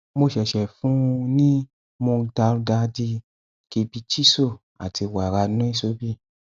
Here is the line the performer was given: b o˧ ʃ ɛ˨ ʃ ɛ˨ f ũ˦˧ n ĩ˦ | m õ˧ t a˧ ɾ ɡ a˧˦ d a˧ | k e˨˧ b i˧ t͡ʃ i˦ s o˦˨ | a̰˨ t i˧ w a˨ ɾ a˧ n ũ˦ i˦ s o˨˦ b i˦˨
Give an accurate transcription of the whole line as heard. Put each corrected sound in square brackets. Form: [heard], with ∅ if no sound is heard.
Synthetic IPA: [m] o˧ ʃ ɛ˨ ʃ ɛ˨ f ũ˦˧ n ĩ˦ | m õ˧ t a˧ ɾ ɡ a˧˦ d [i˧] | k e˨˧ b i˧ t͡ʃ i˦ s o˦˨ | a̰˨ t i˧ w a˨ ɾ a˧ n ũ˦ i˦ s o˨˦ b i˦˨